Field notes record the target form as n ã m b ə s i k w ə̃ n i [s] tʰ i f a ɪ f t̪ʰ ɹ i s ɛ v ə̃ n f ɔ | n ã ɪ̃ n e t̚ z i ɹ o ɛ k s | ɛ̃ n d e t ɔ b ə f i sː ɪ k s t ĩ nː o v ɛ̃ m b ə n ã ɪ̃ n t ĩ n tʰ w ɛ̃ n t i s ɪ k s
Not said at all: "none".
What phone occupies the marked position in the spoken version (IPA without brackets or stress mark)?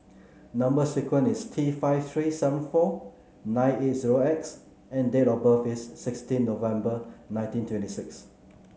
s